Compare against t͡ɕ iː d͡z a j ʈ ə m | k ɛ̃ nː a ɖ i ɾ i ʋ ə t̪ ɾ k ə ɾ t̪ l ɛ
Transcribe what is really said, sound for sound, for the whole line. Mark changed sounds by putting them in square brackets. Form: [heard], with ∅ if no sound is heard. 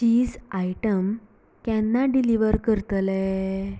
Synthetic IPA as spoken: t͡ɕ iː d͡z a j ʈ ə m | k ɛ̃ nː a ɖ i [l] i ʋ ə [∅] ɾ k ə ɾ t̪ l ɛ